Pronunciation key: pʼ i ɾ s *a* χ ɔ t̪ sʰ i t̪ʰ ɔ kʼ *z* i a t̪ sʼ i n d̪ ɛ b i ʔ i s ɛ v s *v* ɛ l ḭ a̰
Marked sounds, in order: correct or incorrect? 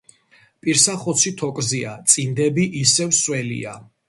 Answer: correct, correct, incorrect

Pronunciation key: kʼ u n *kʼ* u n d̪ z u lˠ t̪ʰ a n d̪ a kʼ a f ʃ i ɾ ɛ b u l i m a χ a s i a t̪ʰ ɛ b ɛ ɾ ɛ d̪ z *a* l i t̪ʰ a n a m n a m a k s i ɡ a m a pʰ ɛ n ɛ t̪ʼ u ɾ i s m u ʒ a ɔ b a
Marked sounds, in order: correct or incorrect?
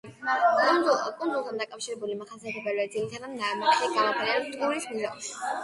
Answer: correct, incorrect

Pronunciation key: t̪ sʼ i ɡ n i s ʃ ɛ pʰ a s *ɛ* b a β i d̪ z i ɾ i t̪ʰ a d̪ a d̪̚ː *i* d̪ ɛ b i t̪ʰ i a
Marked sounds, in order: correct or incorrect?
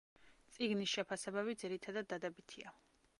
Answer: correct, incorrect

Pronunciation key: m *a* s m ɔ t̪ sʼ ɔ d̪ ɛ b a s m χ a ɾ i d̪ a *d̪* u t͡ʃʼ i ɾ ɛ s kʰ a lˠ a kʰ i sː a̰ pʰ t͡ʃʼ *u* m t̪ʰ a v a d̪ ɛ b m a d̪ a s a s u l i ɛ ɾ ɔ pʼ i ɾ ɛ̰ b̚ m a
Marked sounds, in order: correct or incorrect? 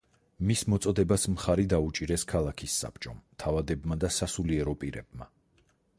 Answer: incorrect, incorrect, incorrect

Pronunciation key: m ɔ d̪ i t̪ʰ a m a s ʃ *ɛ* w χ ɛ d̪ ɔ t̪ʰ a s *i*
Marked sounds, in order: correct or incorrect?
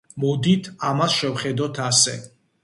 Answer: correct, incorrect

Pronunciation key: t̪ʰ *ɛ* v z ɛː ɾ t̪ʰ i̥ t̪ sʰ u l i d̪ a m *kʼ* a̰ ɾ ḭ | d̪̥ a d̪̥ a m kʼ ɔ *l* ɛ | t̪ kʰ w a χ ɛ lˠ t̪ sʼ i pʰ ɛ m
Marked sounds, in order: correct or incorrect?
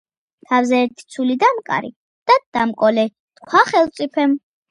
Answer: incorrect, correct, correct

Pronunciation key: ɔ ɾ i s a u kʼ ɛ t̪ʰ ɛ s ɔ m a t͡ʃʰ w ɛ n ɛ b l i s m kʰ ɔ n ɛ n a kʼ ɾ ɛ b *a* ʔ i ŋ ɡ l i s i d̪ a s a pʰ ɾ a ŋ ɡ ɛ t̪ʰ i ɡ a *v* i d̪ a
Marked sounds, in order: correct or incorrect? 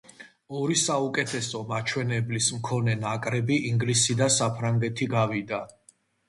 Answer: incorrect, correct

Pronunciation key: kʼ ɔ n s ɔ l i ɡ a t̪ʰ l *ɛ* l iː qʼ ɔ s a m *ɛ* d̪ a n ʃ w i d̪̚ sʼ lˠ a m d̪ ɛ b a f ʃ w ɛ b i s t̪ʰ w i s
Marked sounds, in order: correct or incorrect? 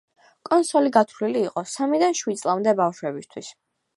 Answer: incorrect, incorrect

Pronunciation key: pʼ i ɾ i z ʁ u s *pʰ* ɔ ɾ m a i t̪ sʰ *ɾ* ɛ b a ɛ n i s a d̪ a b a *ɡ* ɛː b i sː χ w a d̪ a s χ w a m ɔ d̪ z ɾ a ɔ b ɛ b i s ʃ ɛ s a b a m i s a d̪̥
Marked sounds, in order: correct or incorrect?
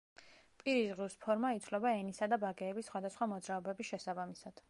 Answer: correct, incorrect, correct

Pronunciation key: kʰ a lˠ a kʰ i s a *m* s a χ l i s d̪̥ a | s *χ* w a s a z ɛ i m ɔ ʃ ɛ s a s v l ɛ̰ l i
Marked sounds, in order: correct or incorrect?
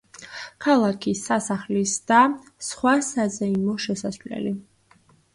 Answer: incorrect, correct

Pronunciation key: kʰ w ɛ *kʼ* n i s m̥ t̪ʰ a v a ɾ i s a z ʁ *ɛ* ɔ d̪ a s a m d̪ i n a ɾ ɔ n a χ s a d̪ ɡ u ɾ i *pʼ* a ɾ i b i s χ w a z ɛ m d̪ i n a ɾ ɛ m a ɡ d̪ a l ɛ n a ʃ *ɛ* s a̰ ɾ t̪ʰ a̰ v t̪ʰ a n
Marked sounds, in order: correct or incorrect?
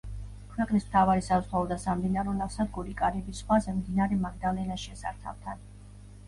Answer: incorrect, incorrect, incorrect, correct

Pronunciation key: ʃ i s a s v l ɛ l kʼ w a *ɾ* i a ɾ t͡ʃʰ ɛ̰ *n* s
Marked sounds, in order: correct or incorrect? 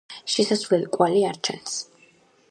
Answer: incorrect, correct

